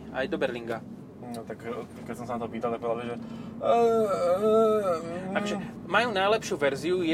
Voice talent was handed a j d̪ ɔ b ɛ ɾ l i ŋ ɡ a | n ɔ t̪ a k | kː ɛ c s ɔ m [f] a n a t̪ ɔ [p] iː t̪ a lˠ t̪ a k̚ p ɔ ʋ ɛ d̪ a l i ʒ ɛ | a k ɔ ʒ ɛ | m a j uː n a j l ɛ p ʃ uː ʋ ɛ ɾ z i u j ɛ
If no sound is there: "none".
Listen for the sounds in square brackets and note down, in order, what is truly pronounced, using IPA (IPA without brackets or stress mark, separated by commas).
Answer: s, p